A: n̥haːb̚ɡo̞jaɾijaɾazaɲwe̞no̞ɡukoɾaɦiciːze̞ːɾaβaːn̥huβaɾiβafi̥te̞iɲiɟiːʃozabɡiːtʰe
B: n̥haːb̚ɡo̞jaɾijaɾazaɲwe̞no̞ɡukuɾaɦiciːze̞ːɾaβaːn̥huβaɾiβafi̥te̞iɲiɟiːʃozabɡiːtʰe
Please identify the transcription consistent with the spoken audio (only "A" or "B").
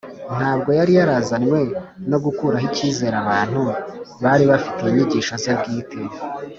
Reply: B